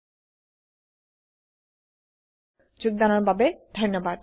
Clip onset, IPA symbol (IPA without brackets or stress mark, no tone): d͡ʑ